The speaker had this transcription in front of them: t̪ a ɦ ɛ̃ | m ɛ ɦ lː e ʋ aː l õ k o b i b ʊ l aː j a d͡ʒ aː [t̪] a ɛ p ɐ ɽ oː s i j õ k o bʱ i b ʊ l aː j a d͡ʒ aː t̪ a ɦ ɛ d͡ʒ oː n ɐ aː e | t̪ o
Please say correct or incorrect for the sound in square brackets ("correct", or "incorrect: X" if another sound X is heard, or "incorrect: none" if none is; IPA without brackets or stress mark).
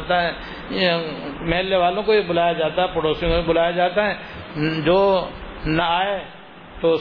correct